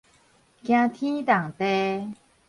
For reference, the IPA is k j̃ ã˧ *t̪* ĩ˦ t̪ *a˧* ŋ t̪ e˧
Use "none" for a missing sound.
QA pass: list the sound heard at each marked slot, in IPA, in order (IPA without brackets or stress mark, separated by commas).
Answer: t̪ʰ, a˨˩